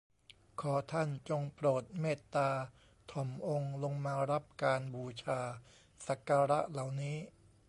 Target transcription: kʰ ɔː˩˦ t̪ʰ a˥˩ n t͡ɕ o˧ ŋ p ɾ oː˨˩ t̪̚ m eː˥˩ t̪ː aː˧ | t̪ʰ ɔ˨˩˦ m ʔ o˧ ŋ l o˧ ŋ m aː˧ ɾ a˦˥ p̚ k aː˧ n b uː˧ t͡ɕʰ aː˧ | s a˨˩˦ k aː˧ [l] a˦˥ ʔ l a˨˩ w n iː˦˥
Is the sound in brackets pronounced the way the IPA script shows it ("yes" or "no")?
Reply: no